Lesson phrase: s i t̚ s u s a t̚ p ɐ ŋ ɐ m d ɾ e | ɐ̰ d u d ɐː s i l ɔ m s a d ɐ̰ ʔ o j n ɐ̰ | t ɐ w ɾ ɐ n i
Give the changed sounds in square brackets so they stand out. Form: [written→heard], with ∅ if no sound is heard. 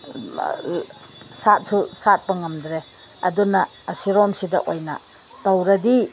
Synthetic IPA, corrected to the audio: s [i→a] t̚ s u s a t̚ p ɐ ŋ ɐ m d ɾ e | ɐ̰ d u [d→n] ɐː s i [l→ɾ] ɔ m s [a→i] d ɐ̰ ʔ o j n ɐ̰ | t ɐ w ɾ ɐ [n→d] i